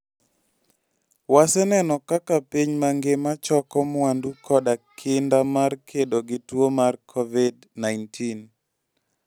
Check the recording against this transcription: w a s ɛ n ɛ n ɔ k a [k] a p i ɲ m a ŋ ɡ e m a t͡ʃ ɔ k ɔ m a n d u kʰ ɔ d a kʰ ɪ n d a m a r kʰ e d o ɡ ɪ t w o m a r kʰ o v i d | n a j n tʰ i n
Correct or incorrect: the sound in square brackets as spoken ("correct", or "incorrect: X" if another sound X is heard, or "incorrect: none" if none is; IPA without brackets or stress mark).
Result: correct